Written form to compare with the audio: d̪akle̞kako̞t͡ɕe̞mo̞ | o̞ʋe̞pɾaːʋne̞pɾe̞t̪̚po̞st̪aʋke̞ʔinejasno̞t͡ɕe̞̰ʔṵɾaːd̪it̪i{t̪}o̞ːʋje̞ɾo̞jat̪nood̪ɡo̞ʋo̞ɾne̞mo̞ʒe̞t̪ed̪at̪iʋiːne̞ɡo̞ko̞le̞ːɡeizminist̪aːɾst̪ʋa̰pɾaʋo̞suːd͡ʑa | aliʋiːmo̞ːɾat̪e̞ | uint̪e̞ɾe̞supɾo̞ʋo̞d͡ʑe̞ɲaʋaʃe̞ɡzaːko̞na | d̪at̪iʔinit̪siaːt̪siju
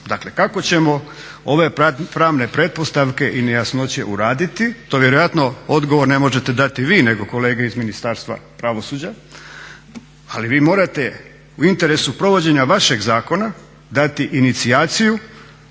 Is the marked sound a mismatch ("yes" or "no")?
no